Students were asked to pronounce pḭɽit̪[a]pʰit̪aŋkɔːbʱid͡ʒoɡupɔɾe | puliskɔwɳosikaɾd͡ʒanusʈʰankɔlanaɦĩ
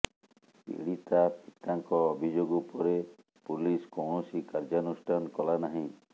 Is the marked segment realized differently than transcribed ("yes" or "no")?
no